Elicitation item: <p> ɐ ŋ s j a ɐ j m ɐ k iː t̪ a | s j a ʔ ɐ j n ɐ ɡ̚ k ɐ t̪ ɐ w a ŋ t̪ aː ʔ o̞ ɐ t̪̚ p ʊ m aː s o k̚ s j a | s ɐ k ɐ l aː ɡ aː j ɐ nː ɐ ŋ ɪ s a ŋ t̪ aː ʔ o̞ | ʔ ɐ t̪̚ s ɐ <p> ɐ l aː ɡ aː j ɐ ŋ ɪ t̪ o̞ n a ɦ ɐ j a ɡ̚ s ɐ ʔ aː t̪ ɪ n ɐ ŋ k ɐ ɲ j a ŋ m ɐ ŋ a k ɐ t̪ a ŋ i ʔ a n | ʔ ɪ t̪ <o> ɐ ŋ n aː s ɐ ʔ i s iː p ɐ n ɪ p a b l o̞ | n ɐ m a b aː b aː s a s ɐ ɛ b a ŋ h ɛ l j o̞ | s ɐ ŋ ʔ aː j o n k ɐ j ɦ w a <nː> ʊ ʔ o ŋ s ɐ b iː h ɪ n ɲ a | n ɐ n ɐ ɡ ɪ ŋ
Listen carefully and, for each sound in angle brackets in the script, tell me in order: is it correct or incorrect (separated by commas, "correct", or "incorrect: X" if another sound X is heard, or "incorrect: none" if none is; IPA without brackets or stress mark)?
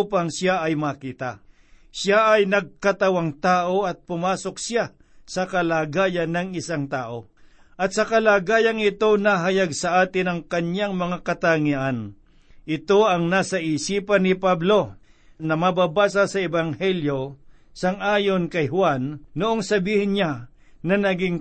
correct, incorrect: k, correct, correct